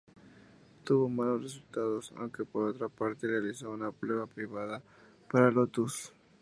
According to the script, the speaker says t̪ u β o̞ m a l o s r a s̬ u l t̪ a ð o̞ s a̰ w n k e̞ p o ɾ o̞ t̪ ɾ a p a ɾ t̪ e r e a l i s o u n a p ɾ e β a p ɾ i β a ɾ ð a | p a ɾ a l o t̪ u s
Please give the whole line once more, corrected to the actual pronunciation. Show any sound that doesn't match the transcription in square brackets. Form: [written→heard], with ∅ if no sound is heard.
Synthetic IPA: t̪ u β o̞ m a l o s r [a→e] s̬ u l t̪ a ð o̞ s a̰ w [n→ŋ] k e̞ p o ɾ o̞ t̪ ɾ a p a ɾ t̪ e r e a l i s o u n a p ɾ e β a p ɾ i β a [ɾ→∅] ð a | p a ɾ a l o t̪ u s